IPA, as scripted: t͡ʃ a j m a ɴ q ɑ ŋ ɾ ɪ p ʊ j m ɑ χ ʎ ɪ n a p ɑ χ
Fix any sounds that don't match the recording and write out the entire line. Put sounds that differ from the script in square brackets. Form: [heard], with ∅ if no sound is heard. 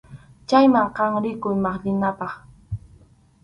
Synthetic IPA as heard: t͡ʃ a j m a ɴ q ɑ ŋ ɾ ɪ [k] ʊ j m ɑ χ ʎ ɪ n a p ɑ χ